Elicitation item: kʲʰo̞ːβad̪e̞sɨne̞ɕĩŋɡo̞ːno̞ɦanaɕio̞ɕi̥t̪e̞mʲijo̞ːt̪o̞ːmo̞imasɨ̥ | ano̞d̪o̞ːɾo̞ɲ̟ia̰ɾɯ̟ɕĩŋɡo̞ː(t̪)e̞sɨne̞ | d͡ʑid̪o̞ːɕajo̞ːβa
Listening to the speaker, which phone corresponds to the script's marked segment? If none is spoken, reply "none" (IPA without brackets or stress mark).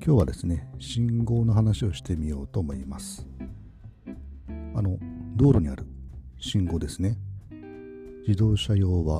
d̪